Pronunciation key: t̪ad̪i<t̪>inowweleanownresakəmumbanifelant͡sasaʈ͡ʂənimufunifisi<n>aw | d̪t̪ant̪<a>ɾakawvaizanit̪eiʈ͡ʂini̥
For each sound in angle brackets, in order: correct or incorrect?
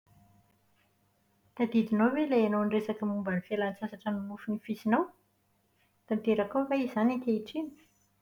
incorrect: d̪, correct, incorrect: e

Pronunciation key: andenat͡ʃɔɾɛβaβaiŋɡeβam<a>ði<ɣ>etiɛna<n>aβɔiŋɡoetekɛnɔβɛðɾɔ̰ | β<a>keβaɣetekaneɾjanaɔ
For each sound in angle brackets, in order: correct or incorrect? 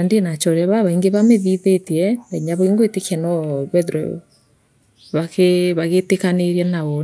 incorrect: e, incorrect: ð, incorrect: ɲ, correct

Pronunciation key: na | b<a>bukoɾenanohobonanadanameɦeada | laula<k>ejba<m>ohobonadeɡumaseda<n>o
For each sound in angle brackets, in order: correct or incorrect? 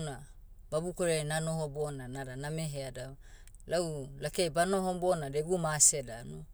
correct, correct, incorrect: n, correct

